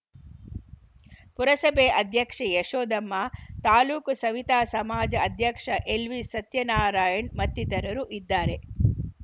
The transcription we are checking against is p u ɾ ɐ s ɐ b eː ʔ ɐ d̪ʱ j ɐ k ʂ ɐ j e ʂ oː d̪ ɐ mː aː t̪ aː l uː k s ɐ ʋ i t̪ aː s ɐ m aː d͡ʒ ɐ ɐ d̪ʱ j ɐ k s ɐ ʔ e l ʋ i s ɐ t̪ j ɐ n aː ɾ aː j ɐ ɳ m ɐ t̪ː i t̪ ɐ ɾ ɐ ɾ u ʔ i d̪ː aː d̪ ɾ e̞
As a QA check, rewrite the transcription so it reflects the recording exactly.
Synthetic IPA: p u ɾ ɐ s ɐ b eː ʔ ɐ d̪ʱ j ɐ k ʂ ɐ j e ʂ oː d̪ ɐ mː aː t̪ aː l uː k s ɐ ʋ i t̪ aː s ɐ m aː d͡ʒ ɐ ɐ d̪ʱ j ɐ k ʂ ɐ ʔ e l ʋ i s ɐ t̪ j ɐ n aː ɾ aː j ɐ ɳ m ɐ t̪ː i t̪ ɐ ɾ ɐ ɾ u ʔ i d̪ː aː ɾ e̞